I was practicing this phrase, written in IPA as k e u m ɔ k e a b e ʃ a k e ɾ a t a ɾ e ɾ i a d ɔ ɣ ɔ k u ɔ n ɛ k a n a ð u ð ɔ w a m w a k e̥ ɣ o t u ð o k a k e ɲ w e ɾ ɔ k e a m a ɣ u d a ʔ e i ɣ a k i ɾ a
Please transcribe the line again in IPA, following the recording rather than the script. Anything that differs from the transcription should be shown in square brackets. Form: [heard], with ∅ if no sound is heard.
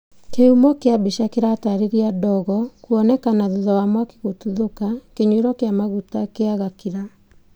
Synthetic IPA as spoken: k e u m ɔ k e a b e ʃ a k e ɾ a t a ɾ e ɾ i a d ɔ ɣ ɔ k u ɔ n ɛ k a n a ð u ð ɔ w a m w a k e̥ ɣ o t u ð o k a k e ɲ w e ɾ ɔ k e a m a ɣ u [t] a [k] e [a] ɣ a k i ɾ a